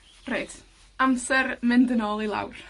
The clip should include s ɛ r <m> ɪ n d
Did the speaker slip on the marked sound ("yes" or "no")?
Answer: no